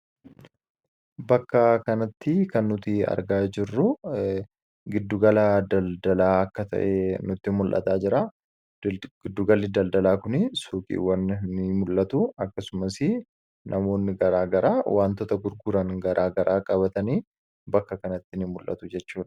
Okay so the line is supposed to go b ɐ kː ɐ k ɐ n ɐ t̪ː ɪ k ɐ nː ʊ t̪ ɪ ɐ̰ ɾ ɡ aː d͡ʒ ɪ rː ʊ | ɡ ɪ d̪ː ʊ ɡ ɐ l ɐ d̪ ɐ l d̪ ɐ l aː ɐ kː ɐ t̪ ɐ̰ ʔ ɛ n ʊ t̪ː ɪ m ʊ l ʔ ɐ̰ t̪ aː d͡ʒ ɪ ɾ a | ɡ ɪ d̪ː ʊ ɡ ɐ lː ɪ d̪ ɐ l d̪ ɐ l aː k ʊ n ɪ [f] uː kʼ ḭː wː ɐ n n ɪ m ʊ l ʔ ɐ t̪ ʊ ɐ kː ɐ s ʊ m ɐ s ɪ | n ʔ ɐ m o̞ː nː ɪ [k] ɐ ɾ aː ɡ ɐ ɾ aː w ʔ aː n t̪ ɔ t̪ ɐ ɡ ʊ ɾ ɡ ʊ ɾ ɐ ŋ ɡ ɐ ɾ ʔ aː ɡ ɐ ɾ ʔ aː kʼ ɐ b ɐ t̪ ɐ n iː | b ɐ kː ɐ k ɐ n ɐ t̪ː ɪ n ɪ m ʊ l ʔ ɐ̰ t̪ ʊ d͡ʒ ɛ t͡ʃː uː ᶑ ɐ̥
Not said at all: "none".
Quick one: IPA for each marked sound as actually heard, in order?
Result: s, ɡ

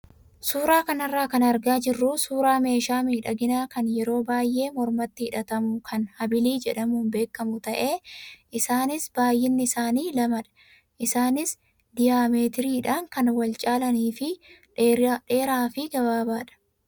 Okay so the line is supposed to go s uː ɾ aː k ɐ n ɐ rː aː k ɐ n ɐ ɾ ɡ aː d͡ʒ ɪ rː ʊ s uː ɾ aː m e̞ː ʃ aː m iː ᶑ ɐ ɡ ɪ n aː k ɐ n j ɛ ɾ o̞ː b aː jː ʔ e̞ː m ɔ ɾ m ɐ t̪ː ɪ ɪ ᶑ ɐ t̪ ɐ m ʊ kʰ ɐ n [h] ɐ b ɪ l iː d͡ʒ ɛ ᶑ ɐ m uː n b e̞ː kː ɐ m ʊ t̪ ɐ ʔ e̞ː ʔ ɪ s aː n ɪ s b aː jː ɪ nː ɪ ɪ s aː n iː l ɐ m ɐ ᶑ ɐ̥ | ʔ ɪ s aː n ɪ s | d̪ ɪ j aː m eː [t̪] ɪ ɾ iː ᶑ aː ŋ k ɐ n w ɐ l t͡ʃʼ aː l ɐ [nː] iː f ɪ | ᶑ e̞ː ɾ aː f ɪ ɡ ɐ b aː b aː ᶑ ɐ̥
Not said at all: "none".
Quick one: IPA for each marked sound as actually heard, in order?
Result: h, t̪, n

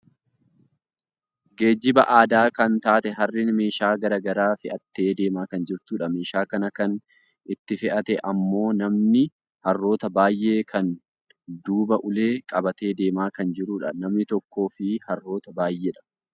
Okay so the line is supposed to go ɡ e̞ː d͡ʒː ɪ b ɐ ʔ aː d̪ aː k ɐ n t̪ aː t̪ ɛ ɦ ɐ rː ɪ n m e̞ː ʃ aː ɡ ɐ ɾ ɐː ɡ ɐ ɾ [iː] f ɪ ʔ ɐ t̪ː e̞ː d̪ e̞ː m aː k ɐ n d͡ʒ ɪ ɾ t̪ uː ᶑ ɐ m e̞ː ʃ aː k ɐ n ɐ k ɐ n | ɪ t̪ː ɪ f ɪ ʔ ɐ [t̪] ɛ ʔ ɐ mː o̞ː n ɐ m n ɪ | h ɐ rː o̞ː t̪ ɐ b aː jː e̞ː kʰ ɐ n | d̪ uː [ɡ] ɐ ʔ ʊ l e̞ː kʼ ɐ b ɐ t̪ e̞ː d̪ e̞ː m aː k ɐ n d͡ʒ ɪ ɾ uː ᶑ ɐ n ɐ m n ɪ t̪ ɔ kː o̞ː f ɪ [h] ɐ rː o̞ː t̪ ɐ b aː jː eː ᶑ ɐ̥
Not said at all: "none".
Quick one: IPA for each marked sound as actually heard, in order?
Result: aː, t̪, b, h

